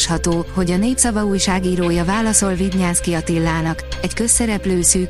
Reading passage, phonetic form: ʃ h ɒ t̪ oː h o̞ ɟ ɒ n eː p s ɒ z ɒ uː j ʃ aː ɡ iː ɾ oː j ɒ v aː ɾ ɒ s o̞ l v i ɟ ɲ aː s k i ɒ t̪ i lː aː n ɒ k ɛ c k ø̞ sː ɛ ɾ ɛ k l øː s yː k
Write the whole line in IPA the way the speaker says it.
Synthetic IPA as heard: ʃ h ɒ t̪ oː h o̞ ɟ ɒ n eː p s ɒ v ɒ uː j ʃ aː ɡ iː ɾ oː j ɒ v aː l ɒ s o̞ l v i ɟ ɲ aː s k i ɒ t̪ i lː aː n ɒ k ɛ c k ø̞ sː ɛ ɾ ɛ p l øː s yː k